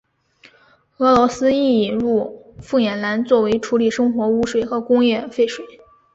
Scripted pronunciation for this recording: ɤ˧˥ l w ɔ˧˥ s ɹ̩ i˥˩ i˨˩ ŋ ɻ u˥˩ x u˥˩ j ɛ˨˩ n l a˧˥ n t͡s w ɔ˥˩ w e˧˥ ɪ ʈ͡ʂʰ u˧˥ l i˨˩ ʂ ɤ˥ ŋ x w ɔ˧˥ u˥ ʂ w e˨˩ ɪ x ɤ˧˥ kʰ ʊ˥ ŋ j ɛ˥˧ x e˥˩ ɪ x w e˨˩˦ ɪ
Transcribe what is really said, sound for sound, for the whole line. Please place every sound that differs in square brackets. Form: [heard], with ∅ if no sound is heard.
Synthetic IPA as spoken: ɤ˧˥ l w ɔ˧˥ s ɹ̩ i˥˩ i˨˩ [n] ɻ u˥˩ [f] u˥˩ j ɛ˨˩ n l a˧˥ n t͡s w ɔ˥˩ w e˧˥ ɪ ʈ͡ʂʰ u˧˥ l i˨˩ ʂ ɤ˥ ŋ x w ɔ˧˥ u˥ ʂ w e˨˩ ɪ x ɤ˧˥ [k] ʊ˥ ŋ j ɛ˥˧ [f] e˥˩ ɪ [ʂ] w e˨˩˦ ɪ